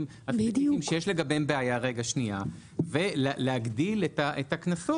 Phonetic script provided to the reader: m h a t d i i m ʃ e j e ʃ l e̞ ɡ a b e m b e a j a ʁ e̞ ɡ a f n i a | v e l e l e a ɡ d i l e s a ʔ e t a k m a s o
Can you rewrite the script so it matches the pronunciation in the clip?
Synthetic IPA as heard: m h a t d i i m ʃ e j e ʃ l e̞ ɡ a b e m b e a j a ʁ e̞ ɡ a ʃ n i a | v e l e l e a ɡ d i l e t a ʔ e t a k n a s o